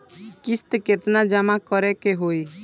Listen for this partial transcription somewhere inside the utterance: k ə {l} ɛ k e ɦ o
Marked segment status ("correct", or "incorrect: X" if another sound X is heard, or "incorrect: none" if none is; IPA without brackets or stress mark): incorrect: ɾ